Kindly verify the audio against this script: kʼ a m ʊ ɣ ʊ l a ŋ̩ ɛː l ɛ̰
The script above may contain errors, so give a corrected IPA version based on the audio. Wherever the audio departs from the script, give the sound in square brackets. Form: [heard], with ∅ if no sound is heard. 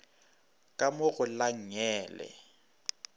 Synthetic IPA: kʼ a m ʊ ɣ ʊ l a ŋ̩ ɛː l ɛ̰